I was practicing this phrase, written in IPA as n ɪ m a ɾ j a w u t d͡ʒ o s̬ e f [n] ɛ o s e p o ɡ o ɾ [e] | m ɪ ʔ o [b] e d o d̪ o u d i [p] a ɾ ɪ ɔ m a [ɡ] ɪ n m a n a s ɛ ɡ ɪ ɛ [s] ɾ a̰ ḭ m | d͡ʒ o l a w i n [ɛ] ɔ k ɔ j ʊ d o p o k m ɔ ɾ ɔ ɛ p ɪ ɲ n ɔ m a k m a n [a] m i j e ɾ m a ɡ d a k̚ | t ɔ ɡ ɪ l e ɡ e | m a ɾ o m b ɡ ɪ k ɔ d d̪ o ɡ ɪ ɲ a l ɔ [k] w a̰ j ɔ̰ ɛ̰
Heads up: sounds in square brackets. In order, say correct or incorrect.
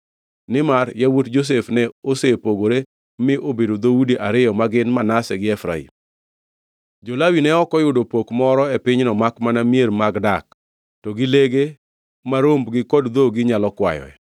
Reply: correct, correct, correct, incorrect, correct, incorrect, correct, correct, correct

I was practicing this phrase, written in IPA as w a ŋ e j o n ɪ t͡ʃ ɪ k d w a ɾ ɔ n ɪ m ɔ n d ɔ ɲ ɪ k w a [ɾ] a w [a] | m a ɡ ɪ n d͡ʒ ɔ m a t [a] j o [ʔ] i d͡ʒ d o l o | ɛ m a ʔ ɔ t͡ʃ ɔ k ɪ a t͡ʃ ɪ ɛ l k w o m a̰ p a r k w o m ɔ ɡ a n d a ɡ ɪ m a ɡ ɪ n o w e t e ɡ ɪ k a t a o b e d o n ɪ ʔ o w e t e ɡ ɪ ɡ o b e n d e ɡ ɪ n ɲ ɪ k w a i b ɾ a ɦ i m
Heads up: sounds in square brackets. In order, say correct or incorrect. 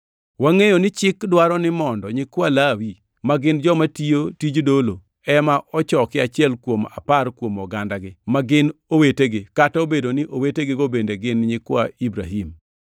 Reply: incorrect, incorrect, incorrect, incorrect

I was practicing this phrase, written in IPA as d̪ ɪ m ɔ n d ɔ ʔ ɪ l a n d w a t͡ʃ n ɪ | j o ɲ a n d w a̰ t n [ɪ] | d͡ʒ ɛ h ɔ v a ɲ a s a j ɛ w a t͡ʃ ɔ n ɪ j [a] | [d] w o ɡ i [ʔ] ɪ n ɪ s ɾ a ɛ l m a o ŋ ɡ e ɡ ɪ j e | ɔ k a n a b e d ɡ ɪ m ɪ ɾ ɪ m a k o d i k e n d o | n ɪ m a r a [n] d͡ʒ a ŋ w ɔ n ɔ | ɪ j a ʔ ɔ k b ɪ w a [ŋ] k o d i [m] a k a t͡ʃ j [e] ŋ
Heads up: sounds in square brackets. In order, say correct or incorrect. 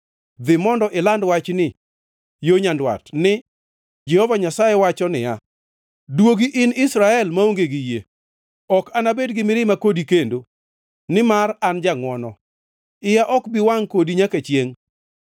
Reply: correct, correct, correct, correct, correct, correct, incorrect, correct

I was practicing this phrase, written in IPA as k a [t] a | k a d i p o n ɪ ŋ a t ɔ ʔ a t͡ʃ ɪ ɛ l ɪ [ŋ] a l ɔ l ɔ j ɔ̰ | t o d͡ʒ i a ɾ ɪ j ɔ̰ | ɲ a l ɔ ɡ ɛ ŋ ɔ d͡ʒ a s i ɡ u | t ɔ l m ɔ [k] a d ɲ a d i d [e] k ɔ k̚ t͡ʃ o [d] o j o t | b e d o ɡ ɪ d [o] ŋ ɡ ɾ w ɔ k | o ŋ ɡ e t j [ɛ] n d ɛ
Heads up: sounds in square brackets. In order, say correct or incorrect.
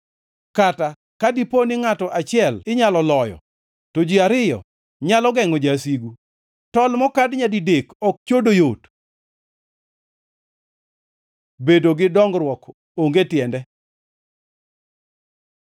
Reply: correct, incorrect, correct, correct, correct, incorrect, correct

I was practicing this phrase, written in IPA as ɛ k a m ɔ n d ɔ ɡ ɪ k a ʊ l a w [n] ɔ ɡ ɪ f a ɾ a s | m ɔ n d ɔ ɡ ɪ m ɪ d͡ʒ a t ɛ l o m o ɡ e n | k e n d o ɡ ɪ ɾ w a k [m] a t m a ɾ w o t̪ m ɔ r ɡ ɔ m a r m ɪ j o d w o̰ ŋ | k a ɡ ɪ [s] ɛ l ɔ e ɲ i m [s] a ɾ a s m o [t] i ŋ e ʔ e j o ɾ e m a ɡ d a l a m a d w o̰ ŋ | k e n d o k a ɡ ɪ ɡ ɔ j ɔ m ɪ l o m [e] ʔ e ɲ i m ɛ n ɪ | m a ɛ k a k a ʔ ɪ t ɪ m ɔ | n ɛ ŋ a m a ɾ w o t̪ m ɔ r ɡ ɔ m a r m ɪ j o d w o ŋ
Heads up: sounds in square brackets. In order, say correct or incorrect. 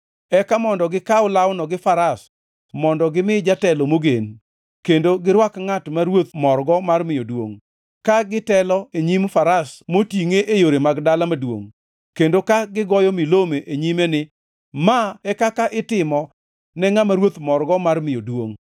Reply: correct, incorrect, incorrect, incorrect, correct, correct

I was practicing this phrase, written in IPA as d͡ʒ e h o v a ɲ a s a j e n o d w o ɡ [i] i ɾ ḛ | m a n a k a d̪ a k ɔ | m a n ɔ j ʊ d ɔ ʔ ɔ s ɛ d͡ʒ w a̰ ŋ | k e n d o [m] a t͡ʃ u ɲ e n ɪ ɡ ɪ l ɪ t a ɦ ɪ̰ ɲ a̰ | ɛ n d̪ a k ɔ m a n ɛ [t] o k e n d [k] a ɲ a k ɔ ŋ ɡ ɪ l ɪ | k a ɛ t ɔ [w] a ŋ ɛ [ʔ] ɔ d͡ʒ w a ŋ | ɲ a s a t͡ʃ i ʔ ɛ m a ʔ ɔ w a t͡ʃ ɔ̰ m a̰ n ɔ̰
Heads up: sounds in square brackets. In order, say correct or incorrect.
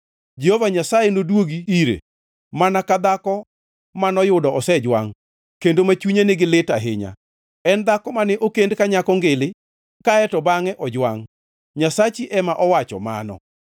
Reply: correct, correct, incorrect, correct, incorrect, correct

